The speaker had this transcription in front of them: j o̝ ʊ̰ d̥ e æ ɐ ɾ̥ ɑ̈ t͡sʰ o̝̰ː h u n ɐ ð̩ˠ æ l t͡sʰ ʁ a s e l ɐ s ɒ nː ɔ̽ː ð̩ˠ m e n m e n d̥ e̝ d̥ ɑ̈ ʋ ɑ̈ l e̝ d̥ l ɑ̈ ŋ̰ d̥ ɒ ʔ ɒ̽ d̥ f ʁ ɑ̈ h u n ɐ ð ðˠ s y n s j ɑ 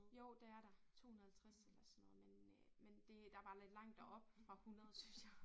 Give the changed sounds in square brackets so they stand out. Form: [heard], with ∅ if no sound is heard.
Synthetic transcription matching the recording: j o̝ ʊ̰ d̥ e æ ɐ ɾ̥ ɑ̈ t͡sʰ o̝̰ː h u n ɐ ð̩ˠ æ l t͡sʰ ʁ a s e l ɐ s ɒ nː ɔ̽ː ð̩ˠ m e n m e n d̥ e̝ d̥ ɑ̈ ʋ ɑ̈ l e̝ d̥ l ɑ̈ ŋ̰ d̥ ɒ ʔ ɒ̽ [b̥] f ʁ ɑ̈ h u n ɐ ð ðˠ s y n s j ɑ